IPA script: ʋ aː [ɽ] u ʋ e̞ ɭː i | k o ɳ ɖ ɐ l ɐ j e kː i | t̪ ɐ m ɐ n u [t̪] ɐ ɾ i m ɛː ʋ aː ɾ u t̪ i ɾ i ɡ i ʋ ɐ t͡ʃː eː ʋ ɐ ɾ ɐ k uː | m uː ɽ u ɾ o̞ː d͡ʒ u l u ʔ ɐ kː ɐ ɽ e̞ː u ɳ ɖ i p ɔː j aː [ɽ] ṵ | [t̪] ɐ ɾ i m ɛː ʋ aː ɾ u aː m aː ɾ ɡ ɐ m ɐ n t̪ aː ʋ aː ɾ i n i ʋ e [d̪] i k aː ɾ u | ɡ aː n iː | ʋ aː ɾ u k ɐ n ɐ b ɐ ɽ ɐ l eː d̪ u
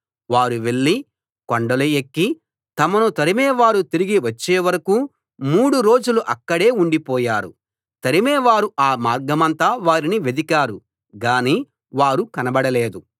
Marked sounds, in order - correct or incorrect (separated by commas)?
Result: incorrect, correct, incorrect, correct, correct